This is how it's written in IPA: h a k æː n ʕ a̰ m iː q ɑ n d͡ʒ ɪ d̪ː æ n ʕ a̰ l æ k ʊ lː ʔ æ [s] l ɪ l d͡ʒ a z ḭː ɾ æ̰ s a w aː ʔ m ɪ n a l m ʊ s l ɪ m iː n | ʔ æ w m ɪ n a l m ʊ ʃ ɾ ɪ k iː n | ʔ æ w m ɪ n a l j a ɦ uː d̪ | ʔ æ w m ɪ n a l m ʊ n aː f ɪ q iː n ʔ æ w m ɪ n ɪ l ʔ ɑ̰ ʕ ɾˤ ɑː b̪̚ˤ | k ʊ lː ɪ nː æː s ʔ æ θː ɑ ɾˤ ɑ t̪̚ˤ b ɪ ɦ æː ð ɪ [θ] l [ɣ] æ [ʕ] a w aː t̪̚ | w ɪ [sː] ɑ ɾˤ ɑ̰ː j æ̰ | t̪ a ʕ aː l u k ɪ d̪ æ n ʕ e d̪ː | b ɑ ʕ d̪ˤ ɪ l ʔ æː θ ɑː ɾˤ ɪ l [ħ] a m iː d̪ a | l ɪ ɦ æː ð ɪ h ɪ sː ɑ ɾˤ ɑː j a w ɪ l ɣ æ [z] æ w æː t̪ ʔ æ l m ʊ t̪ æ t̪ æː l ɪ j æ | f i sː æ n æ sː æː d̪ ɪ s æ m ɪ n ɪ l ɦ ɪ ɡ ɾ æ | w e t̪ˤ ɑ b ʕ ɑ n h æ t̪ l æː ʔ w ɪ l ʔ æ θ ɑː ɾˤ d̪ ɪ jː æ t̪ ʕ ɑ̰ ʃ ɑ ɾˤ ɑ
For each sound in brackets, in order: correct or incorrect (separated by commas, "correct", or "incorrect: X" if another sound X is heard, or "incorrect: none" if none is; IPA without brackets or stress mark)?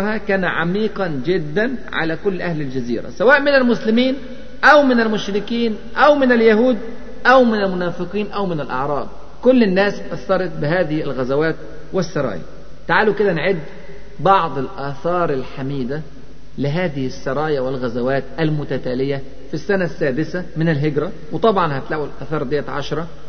incorrect: h, incorrect: h, correct, incorrect: z, correct, correct, correct